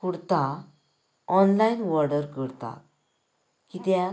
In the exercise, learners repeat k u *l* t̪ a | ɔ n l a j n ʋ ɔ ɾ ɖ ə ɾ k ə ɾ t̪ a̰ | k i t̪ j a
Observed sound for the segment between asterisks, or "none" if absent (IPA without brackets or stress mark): ɽ